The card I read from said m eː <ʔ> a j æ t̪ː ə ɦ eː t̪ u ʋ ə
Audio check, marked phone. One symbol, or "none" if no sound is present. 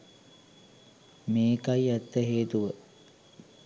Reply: k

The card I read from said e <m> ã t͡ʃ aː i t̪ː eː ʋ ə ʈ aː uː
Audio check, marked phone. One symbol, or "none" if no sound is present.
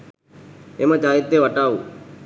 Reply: m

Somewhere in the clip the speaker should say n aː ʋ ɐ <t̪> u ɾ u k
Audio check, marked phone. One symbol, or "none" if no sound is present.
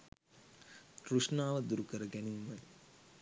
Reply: d̪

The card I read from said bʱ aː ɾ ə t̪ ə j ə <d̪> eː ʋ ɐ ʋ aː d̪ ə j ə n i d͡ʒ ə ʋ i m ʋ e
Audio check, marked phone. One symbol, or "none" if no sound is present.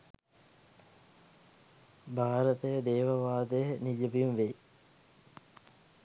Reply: d̪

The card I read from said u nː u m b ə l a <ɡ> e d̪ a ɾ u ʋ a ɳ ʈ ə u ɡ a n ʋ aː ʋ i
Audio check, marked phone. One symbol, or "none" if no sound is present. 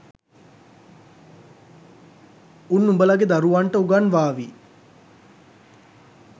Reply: ɡ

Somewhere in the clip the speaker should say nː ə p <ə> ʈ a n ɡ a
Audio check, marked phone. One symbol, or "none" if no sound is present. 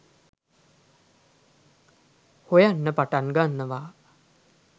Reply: a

